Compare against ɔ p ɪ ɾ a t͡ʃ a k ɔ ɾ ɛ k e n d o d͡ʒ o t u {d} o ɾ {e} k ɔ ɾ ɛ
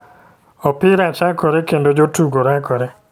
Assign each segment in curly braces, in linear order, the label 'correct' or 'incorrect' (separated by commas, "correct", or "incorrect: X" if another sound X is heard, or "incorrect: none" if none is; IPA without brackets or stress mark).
incorrect: ɡ, incorrect: a